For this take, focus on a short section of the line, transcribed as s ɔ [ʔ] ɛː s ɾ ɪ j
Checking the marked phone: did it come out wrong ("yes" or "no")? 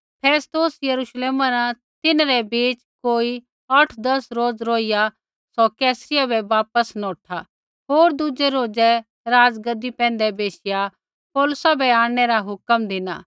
yes